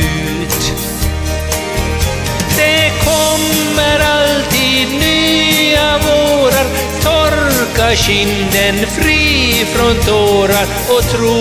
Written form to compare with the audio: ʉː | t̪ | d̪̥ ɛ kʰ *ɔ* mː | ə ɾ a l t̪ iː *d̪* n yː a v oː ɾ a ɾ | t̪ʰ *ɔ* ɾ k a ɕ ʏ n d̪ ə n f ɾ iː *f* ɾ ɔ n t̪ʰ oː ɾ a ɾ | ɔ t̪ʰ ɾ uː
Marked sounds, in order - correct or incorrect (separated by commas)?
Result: correct, correct, correct, correct